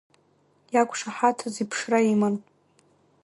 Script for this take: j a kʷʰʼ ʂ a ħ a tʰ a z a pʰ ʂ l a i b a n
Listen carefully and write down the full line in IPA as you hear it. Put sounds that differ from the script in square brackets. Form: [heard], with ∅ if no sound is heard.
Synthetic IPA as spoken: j a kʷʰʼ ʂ a ħ a tʰ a z [i] pʰ ʂ [r] a i [m] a n

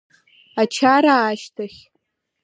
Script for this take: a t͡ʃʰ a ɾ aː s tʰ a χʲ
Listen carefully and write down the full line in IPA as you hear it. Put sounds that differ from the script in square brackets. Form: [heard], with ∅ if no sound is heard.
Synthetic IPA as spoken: a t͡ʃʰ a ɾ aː [ʃ] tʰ a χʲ

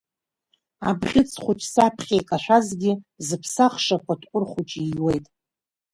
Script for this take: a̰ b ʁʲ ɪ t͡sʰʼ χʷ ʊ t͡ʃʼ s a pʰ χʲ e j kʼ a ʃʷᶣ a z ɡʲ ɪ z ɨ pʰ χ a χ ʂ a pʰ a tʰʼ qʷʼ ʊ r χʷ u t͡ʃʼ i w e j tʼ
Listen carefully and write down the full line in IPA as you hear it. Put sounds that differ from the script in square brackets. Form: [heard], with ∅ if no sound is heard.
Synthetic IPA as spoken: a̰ b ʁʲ ɪ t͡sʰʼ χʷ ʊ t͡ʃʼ s a pʰ χʲ e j kʼ a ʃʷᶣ a z ɡʲ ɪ z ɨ pʰ [s] a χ ʂ a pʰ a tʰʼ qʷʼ ʊ r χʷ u t͡ʃʼ i w e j tʼ

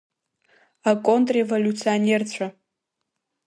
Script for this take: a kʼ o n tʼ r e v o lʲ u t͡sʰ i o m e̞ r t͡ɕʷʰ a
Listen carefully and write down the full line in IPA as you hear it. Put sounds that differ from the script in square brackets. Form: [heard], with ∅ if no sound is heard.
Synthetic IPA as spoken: a kʼ o n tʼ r e v o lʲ u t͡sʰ i o [n] e̞ r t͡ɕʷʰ a

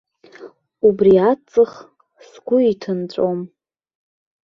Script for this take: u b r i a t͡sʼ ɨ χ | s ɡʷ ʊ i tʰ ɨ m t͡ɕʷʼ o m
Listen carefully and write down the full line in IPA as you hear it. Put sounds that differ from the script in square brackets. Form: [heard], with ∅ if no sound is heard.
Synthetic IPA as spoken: u b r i a t͡sʼ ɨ χ | s ɡʷ ʊ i tʰ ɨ [n] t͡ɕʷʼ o m

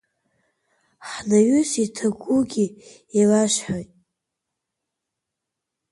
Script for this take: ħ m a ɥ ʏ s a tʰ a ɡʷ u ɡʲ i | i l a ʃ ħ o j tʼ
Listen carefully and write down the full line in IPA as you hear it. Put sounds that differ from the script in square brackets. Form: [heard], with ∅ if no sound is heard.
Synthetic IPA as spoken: ħ [n] a ɥ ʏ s [i] tʰ a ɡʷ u ɡʲ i | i l a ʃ ħ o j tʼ

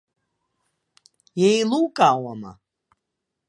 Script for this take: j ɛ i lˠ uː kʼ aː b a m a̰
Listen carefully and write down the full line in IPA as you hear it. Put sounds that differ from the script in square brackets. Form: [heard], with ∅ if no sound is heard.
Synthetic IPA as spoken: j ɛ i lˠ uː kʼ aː [w] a m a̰

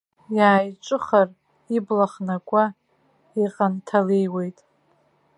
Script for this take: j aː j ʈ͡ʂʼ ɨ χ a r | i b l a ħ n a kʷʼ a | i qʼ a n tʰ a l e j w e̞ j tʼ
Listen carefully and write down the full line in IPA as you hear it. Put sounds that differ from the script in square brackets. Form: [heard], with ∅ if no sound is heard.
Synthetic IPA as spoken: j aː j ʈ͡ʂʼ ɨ χ a r | i b l a [χ] n a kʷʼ a | i qʼ a n tʰ a l e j w e̞ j tʼ

